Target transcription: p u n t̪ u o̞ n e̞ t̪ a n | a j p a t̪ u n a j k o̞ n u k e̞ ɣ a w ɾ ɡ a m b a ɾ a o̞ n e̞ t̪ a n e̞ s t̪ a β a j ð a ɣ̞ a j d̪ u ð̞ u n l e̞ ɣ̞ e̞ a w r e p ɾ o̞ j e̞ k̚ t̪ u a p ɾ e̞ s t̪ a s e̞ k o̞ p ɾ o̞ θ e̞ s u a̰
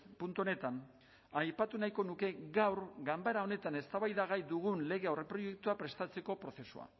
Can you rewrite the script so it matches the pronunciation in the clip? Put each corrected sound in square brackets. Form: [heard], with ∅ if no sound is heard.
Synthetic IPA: p u n t̪ u o̞ n e̞ t̪ a n | a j p a t̪ u n a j k o̞ n u k e̞ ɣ a w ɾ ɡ a m b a ɾ a o̞ n e̞ t̪ a n e̞ s t̪ a β a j ð a ɣ̞ a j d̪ u [ɣ̞] u n l e̞ ɣ̞ e̞ a w r e p ɾ o̞ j e̞ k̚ t̪ u a p ɾ e̞ s t̪ a [t͡s] e̞ k o̞ p ɾ o̞ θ e̞ s u a̰